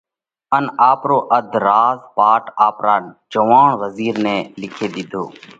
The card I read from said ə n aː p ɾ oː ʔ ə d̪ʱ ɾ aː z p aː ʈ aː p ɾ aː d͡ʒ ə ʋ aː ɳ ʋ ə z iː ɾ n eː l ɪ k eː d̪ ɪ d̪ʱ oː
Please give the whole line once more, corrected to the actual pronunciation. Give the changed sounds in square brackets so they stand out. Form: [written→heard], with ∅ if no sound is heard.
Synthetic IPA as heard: ə n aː p ɾ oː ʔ ə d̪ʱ ɾ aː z p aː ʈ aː p ɾ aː d͡ʒ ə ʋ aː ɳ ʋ ə z iː ɾ n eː l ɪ [k→kʰ] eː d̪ ɪ d̪ʱ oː